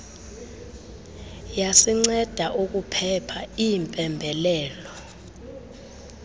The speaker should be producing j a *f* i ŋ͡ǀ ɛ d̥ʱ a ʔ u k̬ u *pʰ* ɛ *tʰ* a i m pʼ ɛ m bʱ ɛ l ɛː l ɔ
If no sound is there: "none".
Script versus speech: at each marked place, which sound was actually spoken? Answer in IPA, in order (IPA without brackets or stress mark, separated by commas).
s, pʰ, pʰ